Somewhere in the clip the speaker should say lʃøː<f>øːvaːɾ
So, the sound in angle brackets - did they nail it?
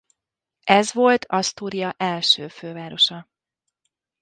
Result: yes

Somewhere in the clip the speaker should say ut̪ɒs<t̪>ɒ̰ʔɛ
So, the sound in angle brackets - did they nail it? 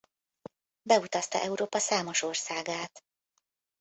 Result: yes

